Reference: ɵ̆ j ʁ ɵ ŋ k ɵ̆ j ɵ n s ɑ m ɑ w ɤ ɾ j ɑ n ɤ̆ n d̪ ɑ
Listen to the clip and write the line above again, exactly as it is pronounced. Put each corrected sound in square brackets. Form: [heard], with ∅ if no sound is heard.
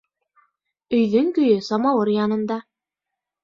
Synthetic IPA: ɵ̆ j [ð] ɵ ŋ k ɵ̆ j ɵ [∅] s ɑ m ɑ w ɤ ɾ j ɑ n ɤ̆ n d̪ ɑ